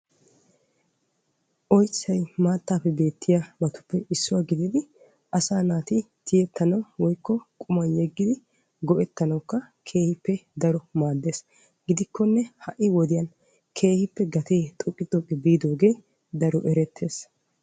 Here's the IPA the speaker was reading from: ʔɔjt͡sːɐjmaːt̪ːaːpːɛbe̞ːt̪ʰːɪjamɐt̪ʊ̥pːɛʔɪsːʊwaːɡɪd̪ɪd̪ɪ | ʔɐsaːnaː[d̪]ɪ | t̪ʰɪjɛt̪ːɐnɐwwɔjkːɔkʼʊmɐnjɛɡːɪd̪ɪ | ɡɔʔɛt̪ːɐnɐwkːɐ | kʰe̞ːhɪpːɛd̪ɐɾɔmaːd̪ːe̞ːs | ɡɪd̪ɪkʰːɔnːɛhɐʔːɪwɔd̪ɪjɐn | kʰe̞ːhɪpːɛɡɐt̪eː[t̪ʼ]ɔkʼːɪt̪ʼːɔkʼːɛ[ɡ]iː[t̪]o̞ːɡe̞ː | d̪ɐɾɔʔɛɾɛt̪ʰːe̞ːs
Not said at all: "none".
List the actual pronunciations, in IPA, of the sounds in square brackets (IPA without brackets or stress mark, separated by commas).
t̪, t̪ʼ, b, d̪